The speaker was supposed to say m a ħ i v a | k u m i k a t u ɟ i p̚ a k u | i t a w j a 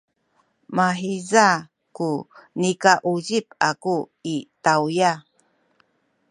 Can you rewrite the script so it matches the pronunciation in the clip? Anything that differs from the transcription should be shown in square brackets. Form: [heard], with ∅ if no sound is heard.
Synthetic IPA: m a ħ i [z] a | k u [n] i k a [ʔ] u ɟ i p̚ a k u | i t a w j a